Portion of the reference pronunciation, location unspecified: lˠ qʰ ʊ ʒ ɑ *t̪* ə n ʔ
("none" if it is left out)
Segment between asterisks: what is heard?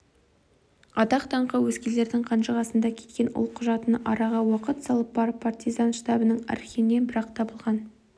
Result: t̪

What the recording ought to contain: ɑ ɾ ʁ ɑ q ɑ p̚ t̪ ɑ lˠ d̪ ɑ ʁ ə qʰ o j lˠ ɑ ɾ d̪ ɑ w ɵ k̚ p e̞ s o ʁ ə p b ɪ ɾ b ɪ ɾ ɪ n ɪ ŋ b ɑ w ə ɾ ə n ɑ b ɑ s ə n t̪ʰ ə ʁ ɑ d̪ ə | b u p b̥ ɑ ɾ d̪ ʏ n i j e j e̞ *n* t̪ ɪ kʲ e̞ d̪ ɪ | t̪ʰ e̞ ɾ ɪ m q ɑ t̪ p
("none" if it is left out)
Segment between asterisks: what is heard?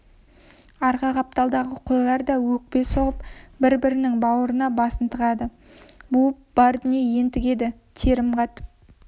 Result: n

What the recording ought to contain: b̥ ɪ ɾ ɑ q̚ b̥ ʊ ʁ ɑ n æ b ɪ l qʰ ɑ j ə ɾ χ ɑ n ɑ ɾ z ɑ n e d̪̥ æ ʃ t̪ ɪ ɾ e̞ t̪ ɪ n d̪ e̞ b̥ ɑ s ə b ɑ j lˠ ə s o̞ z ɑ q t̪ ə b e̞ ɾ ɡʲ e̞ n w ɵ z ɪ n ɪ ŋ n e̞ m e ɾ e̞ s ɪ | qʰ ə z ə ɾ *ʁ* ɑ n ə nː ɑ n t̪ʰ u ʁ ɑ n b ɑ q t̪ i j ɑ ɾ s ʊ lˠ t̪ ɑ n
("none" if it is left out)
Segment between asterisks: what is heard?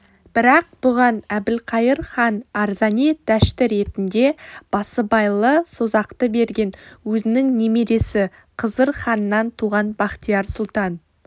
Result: χ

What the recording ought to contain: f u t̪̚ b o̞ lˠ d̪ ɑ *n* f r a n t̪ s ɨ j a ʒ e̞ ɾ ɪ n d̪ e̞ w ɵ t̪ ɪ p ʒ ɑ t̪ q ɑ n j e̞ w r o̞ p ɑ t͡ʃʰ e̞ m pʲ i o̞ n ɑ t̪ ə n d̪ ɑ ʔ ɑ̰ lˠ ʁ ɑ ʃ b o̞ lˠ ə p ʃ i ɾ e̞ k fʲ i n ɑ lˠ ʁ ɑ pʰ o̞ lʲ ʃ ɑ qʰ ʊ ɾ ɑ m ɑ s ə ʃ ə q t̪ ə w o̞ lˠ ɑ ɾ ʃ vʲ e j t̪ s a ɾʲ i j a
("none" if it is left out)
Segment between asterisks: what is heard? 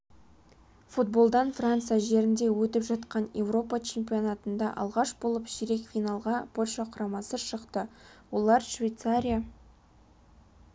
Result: n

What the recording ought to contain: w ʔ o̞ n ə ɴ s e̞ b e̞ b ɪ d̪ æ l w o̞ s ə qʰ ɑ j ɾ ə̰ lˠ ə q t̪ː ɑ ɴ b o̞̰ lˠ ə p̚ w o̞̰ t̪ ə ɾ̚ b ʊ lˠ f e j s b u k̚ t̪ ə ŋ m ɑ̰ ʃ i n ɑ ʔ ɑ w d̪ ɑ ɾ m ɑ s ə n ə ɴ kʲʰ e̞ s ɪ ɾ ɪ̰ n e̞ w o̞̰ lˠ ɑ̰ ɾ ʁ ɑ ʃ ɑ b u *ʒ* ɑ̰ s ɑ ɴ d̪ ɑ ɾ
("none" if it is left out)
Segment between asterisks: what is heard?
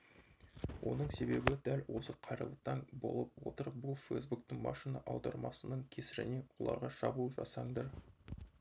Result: ʒ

